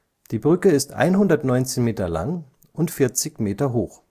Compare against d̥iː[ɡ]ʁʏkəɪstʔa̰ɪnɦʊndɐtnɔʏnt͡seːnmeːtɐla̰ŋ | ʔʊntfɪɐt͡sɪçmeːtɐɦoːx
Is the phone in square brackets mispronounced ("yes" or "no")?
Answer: yes